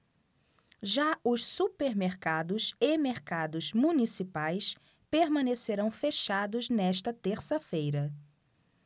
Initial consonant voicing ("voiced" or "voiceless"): voiced